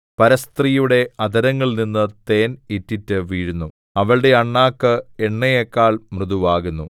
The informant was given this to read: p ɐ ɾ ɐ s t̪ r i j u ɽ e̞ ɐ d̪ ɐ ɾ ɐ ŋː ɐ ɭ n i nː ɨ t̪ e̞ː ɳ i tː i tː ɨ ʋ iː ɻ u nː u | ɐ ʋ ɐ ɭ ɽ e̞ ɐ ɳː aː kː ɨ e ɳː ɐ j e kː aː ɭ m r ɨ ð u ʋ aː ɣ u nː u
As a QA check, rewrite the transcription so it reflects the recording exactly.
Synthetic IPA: p ɐ ɾ ɐ s t̪ r i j u ɽ e̞ ɐ d̪ ɐ ɾ ɐ ŋː ɐ ɭ n i nː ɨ t̪ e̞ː n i tː i tː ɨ ʋ iː ɻ u nː u | ɐ ʋ ɐ ɭ ɽ e̞ ɐ ɳː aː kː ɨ e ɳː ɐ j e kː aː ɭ m r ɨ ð u ʋ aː ɣ u nː u